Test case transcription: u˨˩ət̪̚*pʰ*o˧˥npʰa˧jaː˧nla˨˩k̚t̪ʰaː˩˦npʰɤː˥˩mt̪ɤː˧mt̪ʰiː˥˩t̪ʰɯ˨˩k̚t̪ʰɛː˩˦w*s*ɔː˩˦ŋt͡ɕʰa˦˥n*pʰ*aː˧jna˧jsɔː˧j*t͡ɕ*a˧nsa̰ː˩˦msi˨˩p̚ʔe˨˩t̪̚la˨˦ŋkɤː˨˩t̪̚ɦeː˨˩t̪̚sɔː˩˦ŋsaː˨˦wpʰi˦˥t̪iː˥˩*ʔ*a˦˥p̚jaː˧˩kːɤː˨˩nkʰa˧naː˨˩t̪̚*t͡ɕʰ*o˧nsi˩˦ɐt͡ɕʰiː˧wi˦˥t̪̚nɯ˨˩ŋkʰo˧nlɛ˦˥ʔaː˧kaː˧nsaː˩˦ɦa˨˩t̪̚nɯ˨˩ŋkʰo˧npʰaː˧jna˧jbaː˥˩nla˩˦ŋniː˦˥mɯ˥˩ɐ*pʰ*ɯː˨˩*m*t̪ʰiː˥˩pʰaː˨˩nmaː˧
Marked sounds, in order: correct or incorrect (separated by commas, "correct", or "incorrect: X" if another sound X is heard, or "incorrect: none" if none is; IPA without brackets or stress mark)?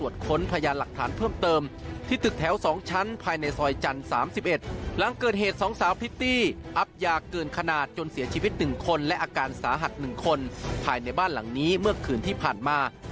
incorrect: kʰ, correct, correct, correct, correct, incorrect: t͡ɕ, incorrect: kʰ, incorrect: n